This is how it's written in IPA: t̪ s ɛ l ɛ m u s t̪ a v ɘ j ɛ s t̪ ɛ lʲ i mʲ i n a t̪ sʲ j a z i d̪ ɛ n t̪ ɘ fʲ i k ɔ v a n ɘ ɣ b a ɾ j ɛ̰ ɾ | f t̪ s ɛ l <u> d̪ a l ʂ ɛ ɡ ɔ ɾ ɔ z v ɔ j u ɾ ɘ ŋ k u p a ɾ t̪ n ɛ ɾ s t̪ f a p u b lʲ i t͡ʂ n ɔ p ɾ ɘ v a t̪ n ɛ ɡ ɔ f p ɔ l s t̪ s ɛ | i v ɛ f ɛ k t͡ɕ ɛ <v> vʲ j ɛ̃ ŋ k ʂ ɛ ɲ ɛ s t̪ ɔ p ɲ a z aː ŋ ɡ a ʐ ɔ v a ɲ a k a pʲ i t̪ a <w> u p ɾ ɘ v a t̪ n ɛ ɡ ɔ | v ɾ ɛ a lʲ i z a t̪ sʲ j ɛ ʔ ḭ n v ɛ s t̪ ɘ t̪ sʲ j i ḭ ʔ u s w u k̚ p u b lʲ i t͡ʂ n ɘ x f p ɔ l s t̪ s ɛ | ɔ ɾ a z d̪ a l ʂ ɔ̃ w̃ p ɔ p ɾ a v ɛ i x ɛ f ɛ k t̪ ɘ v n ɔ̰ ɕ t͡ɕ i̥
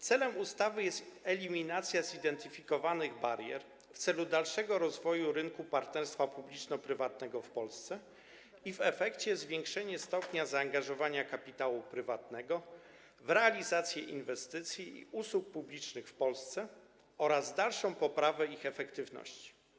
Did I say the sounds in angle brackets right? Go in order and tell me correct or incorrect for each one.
correct, incorrect: z, correct

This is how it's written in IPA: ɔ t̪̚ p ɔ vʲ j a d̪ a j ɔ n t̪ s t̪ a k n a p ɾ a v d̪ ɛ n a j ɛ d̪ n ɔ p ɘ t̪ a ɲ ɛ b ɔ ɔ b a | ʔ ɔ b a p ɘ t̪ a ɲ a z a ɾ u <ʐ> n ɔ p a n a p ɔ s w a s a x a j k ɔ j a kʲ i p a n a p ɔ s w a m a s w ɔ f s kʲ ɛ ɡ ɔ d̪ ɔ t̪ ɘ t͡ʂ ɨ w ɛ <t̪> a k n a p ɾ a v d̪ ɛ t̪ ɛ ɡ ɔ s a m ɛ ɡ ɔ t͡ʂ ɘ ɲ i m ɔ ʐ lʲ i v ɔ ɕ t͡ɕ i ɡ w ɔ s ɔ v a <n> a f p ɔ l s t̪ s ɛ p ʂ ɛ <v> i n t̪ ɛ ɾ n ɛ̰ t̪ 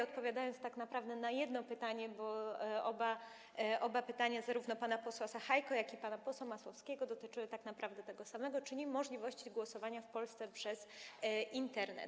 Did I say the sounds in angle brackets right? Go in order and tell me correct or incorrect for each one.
incorrect: v, correct, incorrect: ɲ, incorrect: z

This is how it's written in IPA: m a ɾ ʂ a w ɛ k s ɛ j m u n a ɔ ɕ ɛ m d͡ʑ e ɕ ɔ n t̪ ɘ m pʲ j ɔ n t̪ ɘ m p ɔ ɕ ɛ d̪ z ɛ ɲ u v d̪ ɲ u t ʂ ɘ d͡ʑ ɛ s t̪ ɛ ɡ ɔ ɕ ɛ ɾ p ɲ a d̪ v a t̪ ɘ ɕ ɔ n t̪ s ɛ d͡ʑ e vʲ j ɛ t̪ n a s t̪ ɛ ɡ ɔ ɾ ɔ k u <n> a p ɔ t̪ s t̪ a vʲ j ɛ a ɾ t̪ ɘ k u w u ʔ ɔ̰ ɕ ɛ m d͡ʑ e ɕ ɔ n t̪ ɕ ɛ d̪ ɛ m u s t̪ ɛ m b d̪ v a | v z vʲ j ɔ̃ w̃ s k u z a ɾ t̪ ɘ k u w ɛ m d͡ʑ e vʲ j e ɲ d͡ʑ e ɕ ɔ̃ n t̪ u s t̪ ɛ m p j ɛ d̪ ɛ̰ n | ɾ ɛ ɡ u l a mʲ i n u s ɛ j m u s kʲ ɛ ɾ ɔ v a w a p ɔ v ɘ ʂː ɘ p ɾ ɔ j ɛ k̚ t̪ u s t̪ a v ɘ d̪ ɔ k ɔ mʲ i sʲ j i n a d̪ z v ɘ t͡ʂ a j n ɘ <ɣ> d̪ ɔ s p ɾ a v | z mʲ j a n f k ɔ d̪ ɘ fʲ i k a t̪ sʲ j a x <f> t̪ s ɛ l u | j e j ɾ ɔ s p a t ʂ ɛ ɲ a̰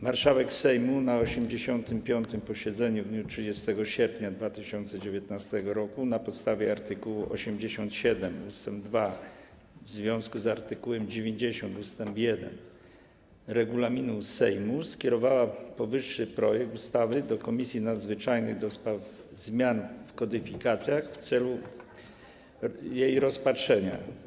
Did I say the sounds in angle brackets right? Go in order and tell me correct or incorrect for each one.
correct, correct, correct

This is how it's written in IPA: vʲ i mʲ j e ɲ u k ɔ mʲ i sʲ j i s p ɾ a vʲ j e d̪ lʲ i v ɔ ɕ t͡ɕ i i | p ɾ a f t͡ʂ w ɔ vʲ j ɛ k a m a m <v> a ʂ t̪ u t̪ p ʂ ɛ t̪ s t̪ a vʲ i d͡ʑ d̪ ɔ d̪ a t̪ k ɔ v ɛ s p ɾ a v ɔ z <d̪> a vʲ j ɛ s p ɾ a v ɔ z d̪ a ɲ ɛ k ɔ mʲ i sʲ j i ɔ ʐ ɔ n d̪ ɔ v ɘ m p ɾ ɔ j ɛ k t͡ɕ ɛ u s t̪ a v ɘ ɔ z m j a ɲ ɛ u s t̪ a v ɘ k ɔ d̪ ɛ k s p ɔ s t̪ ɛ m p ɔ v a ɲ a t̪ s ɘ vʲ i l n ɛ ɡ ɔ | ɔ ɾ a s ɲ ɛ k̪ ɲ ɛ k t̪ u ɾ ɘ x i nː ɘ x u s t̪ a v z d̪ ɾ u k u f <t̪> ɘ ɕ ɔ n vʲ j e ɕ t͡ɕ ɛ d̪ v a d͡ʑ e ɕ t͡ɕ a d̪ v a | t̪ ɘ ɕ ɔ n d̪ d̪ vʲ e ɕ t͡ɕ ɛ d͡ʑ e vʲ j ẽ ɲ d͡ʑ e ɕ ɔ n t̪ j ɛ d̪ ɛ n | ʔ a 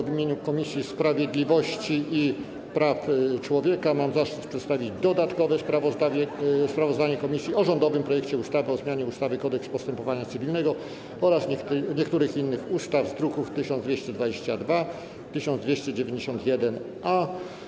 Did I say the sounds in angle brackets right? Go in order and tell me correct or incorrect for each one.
incorrect: z, correct, correct

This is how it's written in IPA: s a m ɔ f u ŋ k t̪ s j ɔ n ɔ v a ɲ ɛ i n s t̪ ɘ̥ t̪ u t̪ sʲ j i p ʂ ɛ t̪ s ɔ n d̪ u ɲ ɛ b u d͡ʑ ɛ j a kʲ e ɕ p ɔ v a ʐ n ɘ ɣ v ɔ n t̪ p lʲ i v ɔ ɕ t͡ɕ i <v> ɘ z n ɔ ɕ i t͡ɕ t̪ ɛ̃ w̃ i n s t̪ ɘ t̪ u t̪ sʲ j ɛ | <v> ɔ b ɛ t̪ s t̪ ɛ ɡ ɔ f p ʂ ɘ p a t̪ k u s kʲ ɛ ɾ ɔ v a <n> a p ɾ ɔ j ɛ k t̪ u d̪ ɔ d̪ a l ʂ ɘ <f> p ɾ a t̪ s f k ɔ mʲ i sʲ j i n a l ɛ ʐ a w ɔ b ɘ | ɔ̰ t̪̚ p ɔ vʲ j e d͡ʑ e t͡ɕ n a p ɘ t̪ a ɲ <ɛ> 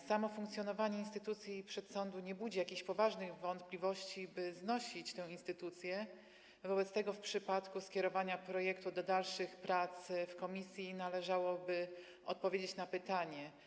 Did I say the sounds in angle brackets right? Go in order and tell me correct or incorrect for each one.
incorrect: b, correct, incorrect: ɲ, incorrect: x, correct

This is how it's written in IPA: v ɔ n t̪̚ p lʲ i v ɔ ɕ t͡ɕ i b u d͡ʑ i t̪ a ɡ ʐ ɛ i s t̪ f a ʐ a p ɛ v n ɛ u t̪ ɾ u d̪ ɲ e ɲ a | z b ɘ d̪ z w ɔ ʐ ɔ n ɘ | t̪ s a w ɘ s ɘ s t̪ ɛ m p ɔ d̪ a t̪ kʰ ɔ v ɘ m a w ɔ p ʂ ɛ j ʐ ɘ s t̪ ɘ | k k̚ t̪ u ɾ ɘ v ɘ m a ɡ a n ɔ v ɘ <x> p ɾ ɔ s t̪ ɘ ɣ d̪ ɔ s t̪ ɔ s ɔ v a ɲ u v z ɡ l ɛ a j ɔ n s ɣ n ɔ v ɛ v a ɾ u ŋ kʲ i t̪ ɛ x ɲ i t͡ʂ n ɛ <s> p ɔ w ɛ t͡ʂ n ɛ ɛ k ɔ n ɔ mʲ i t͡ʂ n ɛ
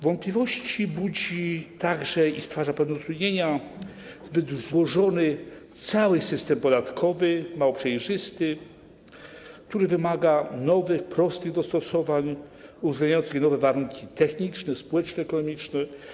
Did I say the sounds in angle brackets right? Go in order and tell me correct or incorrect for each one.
correct, correct

